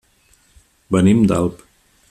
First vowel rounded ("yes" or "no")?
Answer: no